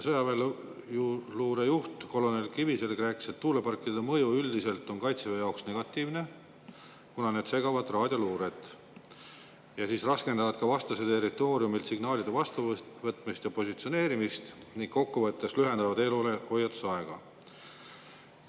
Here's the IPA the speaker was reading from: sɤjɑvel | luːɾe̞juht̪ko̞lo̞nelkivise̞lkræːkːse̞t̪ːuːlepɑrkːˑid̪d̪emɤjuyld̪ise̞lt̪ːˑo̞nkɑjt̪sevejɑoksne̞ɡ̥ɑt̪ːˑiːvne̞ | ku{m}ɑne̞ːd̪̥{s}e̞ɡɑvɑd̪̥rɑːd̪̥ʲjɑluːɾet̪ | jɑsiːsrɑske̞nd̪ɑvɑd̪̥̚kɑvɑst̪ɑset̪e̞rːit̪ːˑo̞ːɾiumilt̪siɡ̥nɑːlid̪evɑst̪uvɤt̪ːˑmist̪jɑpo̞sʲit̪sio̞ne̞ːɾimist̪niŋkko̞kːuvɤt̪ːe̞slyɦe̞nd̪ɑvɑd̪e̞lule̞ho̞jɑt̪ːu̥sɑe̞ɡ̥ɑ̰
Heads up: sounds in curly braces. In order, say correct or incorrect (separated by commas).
incorrect, correct